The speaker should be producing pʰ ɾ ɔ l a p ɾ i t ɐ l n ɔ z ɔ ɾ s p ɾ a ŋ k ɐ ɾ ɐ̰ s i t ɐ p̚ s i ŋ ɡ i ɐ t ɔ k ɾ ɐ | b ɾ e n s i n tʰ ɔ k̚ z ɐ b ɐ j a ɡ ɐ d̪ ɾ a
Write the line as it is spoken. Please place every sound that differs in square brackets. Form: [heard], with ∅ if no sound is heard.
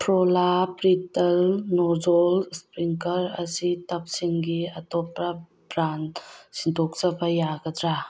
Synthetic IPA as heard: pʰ ɾ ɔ l a p ɾ i t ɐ l n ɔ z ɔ [l] s p ɾ [i] ŋ k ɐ ɾ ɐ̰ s i t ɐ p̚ s i ŋ ɡ i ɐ t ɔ [p] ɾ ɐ | b ɾ [a] n s i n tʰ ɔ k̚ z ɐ b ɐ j a ɡ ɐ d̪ ɾ a